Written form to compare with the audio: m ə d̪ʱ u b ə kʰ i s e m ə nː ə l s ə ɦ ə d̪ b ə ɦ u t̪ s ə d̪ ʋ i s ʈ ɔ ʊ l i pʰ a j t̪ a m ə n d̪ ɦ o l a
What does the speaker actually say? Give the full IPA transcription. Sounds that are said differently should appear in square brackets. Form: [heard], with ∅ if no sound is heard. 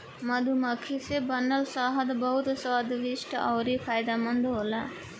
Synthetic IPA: m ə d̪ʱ u [m] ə kʰ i s e [b] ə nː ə l s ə ɦ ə d̪ b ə ɦ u t̪ s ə d̪ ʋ i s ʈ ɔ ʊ [ɾ] i pʰ a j [d̪] a m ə n d̪ ɦ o l a

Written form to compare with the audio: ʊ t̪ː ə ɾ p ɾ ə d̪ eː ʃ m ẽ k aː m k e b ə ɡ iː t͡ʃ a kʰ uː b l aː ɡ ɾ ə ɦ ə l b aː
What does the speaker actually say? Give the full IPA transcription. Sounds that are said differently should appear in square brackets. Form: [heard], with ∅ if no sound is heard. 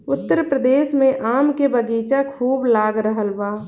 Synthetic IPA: ʊ t̪ː ə ɾ p ɾ ə d̪ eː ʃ m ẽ [ʔ] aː m k e b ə ɡ iː t͡ʃ a kʰ uː b l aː ɡ ɾ ə ɦ ə l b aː

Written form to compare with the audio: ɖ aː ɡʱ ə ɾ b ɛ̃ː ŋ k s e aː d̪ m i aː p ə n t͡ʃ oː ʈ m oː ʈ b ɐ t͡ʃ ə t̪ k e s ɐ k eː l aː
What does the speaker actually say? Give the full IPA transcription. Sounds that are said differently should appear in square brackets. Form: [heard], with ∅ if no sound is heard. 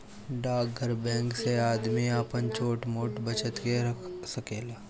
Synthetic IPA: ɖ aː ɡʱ ə ɾ b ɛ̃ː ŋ k s e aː d̪ m i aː p ə n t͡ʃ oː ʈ m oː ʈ b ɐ t͡ʃ ə t̪ k e s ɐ k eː l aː

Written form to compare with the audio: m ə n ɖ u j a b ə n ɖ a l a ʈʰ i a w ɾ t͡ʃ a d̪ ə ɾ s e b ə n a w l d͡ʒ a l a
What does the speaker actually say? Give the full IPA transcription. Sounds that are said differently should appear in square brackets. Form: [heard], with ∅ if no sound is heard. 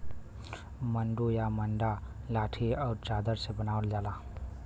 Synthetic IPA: m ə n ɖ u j a [m] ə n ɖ a l a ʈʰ i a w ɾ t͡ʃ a d̪ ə ɾ s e b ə n a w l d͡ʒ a l a

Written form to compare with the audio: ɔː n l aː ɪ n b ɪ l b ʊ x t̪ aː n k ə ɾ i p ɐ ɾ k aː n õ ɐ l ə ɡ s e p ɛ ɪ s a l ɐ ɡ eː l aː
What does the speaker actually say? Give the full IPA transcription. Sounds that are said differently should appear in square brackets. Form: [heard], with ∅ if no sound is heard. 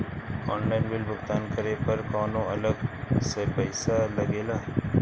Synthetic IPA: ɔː n l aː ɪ n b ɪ l b ʊ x t̪ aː n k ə ɾ [e] p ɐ ɾ k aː n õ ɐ l ə ɡ s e p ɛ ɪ s a l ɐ ɡ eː l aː

